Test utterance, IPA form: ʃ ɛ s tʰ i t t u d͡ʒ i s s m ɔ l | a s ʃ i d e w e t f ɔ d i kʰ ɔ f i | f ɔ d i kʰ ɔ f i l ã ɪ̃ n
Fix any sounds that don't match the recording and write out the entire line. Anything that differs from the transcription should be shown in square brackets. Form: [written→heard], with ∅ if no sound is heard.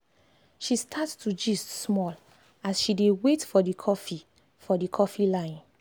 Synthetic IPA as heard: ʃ [ɛ→i] s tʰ [i→a] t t u d͡ʒ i s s m ɔ l | a s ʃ i d e w e t f ɔ d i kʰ ɔ f i | f ɔ d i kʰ ɔ f i l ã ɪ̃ n